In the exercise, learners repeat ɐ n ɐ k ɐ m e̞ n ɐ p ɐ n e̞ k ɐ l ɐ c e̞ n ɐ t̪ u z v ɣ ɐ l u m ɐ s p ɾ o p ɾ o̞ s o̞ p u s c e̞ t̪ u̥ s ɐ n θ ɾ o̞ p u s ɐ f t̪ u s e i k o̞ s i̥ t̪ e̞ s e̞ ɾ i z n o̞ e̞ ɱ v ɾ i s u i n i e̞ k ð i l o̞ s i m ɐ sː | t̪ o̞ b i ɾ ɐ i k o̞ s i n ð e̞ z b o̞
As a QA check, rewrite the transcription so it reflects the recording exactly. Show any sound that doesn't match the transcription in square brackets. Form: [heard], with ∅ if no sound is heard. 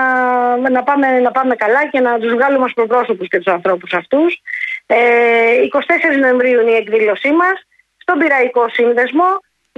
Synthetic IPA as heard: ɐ n ɐ [p] ɐ m e̞ n ɐ p ɐ [m] e̞ k ɐ l ɐ c e̞ n ɐ t̪ u z v ɣ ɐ l u m ɐ s p ɾ o p ɾ o̞ s o̞ p u s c e̞ t̪ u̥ s ɐ n θ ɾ o̞ p u s ɐ f t̪ u s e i k o̞ s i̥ t̪ e̞ s e̞ ɾ i z n o̞ e̞ ɱ v ɾ i [∅] u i n i e̞ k ð i l o̞ s i m ɐ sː | t̪ o̞ b i ɾ ɐ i k o̞ s i n ð e̞ z [m] o̞